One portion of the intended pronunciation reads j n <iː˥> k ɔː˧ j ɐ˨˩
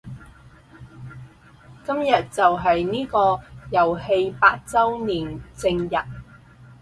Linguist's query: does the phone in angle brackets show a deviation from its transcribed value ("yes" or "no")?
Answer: no